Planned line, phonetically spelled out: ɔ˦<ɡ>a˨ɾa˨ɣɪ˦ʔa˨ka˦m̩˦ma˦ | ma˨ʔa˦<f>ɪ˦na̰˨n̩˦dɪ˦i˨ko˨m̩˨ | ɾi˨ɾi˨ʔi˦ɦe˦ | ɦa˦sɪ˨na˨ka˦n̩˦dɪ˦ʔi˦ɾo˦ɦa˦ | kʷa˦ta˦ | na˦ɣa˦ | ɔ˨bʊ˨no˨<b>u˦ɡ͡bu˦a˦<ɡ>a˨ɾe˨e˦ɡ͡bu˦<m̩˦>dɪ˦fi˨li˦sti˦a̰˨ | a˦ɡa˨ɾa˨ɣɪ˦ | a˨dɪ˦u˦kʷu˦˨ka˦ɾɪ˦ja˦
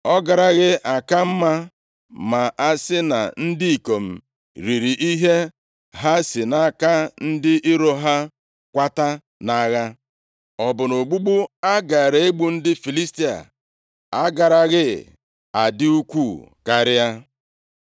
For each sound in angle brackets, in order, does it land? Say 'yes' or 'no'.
yes, no, no, yes, no

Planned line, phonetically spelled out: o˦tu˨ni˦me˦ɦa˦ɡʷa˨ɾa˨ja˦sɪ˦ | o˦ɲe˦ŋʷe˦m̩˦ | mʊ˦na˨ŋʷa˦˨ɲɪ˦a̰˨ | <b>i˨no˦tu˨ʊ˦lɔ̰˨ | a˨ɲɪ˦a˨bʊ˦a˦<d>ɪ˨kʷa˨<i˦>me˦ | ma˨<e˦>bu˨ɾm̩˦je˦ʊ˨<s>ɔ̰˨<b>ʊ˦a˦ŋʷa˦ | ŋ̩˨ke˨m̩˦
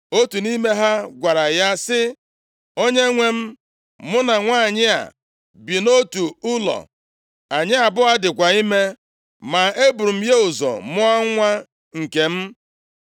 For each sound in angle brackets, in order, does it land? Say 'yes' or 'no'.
yes, yes, yes, yes, no, no

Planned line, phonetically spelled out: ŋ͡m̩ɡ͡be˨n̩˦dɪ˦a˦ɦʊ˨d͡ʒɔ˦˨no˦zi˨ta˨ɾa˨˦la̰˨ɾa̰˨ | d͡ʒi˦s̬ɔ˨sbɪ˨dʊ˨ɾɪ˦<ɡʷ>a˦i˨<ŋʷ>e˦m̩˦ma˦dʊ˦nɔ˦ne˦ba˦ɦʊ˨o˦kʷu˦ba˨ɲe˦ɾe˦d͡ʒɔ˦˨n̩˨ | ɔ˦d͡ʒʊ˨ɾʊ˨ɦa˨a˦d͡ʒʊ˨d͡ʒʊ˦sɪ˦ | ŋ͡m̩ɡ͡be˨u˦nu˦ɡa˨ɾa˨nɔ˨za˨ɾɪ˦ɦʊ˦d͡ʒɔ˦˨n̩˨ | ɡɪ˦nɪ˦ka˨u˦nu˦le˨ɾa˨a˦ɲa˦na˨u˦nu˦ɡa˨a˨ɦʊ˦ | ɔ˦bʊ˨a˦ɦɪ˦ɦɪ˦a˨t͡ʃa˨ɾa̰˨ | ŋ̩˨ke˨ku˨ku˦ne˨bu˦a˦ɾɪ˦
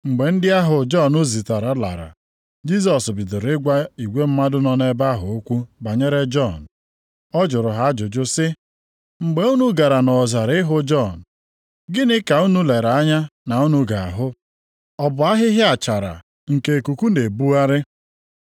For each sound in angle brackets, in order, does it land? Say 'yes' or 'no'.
yes, no

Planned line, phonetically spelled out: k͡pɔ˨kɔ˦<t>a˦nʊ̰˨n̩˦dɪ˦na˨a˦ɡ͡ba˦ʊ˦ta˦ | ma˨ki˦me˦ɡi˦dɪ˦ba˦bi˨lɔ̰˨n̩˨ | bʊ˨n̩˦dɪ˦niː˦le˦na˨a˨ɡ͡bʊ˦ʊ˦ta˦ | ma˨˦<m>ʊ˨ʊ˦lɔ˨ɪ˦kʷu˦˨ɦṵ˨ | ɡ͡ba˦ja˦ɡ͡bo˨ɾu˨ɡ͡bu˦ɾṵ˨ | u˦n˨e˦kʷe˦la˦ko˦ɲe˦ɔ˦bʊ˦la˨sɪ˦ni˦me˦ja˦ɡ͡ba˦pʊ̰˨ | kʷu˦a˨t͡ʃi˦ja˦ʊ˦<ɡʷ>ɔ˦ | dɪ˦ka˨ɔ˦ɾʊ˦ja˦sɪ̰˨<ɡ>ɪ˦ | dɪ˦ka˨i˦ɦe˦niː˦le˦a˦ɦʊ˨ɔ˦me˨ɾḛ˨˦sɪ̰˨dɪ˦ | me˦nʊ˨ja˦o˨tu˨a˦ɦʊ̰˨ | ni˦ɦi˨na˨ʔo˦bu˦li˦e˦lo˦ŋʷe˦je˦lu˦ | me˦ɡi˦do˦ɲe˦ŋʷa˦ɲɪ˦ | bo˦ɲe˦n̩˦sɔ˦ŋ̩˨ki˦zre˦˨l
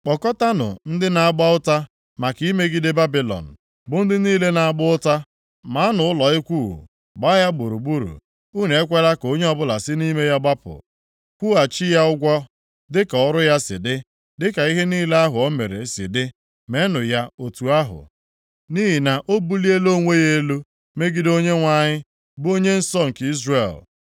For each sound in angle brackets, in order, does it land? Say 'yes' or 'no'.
yes, no, yes, no

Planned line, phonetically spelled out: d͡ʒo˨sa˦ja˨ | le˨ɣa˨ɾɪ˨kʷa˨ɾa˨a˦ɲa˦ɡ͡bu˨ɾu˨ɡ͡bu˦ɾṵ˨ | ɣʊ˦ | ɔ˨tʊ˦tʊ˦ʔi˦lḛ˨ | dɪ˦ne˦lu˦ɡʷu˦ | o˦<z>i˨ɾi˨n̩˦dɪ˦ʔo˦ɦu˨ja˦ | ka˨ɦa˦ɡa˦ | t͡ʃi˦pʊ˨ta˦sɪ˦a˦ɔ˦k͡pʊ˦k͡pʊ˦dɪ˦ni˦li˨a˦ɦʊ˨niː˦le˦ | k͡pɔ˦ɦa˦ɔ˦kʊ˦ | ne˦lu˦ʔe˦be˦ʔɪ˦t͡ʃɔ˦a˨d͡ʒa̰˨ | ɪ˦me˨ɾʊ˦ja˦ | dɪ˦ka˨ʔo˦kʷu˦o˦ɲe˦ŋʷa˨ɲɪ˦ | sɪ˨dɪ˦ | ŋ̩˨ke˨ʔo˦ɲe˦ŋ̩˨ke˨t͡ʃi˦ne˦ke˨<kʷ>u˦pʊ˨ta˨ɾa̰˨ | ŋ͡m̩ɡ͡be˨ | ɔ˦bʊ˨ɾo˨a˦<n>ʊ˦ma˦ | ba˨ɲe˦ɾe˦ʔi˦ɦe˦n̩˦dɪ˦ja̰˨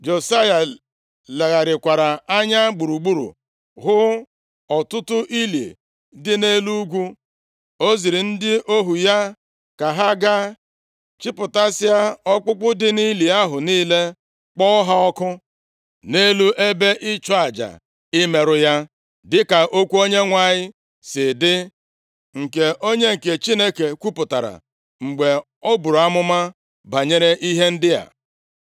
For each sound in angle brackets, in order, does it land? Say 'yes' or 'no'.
yes, yes, no

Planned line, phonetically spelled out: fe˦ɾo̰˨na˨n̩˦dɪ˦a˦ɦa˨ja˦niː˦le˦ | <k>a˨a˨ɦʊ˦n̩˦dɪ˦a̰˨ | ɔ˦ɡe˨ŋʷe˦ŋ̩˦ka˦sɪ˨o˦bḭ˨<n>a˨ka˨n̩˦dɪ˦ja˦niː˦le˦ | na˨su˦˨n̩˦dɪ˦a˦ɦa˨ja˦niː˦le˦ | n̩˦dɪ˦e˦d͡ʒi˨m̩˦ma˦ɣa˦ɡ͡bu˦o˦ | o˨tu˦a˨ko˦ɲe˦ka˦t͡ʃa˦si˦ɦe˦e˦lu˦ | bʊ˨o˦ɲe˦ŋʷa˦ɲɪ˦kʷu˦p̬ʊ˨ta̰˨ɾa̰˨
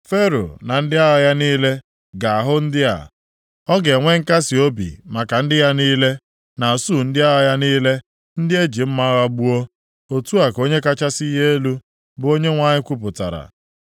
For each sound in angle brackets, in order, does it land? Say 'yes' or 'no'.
no, no

